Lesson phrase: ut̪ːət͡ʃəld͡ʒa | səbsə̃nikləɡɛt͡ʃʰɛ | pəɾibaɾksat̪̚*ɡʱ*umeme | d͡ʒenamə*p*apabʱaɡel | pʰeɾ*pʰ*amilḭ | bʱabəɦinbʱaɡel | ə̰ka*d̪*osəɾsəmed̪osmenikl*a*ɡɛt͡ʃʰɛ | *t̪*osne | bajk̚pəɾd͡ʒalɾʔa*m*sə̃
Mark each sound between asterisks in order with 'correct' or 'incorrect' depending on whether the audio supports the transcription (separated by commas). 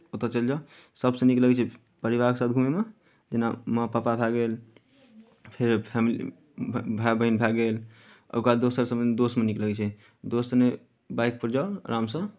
correct, correct, correct, correct, incorrect, incorrect, correct